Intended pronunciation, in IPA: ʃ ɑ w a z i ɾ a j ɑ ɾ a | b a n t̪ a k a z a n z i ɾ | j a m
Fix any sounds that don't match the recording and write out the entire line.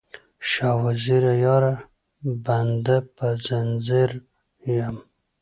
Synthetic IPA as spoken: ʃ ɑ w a z i ɾ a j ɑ ɾ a | b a n d̪ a p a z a n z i ɾ | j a m

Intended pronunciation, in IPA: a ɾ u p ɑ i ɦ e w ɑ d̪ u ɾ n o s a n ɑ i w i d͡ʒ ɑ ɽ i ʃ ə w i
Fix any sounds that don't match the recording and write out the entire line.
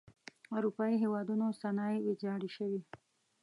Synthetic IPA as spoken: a ɾ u p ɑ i ɦ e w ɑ d̪ u n o s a n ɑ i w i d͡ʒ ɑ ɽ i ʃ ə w i

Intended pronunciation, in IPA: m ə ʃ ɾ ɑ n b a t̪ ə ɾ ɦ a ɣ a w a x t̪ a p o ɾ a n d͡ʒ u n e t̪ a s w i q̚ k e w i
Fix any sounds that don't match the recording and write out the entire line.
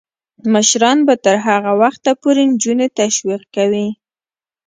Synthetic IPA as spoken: m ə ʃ ɾ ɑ n b a t̪ ə ɾ ɦ a ɣ a w a x t̪ a p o ɾ e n d͡ʒ u n e t̪ a ʃ w i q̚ k a w i

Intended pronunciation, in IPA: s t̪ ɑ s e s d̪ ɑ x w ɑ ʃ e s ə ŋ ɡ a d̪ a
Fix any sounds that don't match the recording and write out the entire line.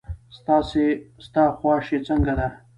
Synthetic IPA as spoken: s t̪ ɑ s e s t̪ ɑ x w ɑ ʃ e t͡s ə ŋ ɡ a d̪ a

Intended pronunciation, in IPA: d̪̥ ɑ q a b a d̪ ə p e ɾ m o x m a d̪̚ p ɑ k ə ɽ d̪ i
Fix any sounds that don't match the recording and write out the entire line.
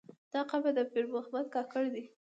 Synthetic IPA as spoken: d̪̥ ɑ q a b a d̪ ə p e ɾ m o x m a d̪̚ k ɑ k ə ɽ d̪ i

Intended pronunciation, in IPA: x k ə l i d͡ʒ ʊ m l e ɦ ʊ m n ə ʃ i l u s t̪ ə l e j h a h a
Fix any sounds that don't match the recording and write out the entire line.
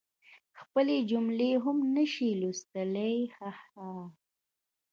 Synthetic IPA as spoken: x p ə l e d͡ʒ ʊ m l e ɦ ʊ m n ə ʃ i l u s t̪ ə l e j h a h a

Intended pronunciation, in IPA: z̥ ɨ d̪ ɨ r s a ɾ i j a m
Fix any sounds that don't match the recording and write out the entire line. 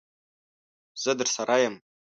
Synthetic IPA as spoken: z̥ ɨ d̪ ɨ r s a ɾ a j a m

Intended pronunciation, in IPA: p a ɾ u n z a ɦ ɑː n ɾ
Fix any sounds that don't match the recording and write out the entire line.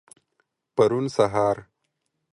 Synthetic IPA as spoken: p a ɾ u n s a ɦ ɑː ɾ

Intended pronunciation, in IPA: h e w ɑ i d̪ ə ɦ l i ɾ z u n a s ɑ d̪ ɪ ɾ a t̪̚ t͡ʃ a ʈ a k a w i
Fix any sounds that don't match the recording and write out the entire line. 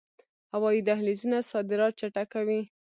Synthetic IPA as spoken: h a w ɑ i d̪ a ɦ l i z u n a s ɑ d̪ ɪ ɾ ɑ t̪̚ t͡ʃ a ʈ a k a w i

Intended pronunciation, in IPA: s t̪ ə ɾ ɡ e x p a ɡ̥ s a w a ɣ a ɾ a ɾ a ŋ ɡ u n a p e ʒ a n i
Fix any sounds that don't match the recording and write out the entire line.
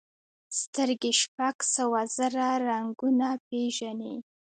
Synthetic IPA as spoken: s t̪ ə ɾ ɡ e ʃ p a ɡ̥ s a w a z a ɾ a ɾ a ŋ ɡ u n a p e ʒ a n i

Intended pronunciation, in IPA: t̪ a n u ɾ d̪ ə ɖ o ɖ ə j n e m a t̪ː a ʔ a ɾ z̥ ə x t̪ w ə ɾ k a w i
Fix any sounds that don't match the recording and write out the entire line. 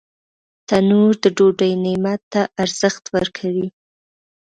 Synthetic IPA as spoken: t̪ a n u ɾ d̪ ə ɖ o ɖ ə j n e m a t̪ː a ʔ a ɾ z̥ ə x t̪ w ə ɾ kʰ a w i

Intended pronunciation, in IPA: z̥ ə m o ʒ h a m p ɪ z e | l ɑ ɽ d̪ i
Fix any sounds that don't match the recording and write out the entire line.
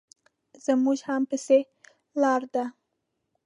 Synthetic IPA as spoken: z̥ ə m u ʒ h a m p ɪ s e | l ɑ ɾ d̪ a

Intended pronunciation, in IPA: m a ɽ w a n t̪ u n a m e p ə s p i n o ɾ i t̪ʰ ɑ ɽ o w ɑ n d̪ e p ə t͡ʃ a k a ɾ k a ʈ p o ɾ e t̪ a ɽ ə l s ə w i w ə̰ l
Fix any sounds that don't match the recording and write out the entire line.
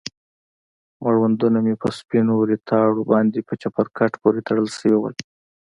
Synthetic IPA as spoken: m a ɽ w a n d̪ u n a m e p ə s p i n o ɾ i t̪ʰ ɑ ɽ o b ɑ n d̪ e p ə t͡ʃ a p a ɾ k a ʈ p o ɾ e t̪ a ɽ ə l s ə w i w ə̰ l

